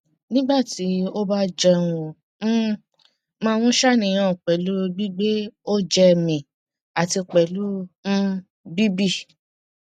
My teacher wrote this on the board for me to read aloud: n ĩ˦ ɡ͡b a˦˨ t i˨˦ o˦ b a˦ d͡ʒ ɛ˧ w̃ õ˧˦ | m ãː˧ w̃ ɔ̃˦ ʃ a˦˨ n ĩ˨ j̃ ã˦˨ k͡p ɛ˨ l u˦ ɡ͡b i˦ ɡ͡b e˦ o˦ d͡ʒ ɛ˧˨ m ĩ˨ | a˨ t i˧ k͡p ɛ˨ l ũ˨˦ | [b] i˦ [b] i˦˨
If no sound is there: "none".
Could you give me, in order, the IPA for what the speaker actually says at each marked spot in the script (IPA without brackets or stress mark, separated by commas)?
b, b